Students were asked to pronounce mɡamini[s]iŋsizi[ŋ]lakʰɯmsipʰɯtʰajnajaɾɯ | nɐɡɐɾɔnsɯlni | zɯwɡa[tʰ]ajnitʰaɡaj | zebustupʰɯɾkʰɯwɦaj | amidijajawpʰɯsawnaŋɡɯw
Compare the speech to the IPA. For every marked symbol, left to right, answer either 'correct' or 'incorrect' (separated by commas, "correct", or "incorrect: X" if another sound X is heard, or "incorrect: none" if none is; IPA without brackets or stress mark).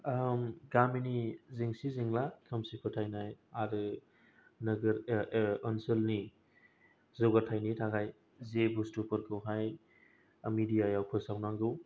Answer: incorrect: z, correct, correct